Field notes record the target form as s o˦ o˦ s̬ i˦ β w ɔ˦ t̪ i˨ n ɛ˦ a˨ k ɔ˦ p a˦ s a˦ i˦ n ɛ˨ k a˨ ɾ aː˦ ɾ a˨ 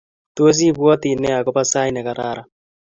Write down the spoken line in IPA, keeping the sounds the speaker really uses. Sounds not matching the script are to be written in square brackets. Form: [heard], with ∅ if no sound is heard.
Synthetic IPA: [t] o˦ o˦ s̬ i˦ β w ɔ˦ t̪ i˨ n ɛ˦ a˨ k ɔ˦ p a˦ s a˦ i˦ n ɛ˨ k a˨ ɾ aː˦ ɾ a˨